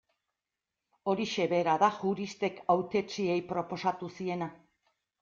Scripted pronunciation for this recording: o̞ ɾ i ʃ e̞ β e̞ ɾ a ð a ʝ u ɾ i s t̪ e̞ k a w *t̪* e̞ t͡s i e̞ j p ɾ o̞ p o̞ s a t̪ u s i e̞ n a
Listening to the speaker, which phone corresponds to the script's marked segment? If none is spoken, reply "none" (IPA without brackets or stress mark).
t̪